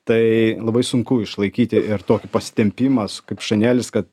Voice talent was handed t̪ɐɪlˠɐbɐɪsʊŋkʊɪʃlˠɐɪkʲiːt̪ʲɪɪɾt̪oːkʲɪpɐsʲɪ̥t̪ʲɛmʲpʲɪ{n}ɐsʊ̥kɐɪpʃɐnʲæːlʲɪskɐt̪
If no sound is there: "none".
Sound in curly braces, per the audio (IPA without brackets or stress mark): m